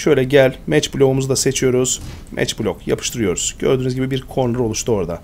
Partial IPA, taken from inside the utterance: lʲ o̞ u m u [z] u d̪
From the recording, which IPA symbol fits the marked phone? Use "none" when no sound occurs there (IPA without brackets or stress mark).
z